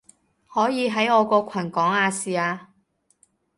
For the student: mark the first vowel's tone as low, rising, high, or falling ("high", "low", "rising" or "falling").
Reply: rising